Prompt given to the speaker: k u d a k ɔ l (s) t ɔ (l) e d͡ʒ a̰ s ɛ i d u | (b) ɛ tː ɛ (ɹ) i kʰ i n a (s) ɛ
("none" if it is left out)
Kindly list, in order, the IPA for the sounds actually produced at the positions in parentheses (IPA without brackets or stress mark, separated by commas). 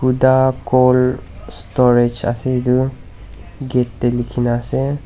s, ɹ, ɡ, l, s